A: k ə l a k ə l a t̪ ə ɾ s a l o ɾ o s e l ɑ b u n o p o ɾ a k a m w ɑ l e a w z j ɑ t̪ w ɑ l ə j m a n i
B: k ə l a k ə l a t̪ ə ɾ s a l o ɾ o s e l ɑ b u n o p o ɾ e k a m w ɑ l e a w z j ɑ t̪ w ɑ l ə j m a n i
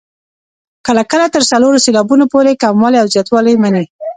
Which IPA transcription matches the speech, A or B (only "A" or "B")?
B